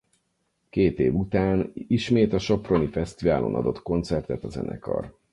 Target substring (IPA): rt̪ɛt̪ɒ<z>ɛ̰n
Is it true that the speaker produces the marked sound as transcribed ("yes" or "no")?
yes